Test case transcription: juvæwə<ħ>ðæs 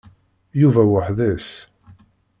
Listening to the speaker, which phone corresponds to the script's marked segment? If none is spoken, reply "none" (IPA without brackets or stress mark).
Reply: ħ